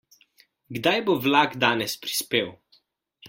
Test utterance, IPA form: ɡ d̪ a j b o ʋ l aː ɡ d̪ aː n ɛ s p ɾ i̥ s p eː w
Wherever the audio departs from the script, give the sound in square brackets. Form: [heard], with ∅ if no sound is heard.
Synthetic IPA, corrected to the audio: ɡ d̪ a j b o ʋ l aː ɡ d̪ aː n ɛ s p ɾ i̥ s p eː w

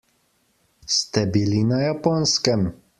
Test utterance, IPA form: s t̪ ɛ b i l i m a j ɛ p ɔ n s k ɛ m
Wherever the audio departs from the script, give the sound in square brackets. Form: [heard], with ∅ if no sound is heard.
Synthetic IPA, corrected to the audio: s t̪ ɛ b i l i [n] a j [a] p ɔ n s k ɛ m

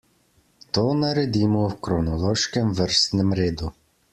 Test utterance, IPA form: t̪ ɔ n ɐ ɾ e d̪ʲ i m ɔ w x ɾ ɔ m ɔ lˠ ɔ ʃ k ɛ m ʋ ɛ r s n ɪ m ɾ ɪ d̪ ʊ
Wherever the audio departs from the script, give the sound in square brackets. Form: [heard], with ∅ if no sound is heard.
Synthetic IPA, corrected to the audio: t̪ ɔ n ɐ ɾ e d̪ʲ i m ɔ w [k] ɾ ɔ [n] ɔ lˠ ɔ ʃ k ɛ m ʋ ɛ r s n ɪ m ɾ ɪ d̪ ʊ

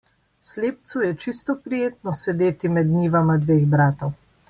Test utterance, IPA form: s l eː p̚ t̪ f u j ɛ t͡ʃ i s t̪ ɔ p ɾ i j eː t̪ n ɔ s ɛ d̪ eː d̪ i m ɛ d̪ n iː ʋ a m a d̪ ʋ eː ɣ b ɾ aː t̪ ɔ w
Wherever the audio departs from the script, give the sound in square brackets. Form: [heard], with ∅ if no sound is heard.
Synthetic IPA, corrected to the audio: s l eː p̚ t̪ [s] u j ɛ t͡ʃ i s t̪ ɔ p ɾ i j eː t̪ n ɔ s ɛ d̪ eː [t̪] i m ɛ d̪ n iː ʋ a m a d̪ ʋ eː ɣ b ɾ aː t̪ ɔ w

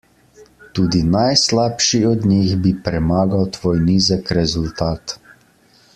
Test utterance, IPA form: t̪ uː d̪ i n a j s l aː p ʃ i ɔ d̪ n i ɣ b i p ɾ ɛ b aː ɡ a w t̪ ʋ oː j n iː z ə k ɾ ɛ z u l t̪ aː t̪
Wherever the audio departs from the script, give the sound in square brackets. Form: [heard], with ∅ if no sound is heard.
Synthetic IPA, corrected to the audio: t̪ uː d̪ i n a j s l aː p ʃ i ɔ d̪ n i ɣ b i p ɾ ɛ [m] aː ɡ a w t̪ ʋ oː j n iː z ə k ɾ ɛ z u l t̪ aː t̪

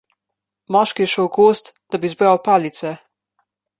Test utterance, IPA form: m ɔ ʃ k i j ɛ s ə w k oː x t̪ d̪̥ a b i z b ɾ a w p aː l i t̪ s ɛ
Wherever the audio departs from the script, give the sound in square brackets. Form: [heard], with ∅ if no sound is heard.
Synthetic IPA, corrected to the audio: m ɔ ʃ k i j ɛ [ʃ] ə w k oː [s] t̪ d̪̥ a b i z b ɾ a w p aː l i t̪ s ɛ

